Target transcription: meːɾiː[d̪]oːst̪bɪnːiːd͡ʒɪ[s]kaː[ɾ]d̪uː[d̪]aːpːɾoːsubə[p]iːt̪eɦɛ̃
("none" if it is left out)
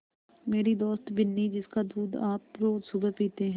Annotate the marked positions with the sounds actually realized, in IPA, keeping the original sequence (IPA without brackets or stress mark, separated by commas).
d̪, s, none, d̪, p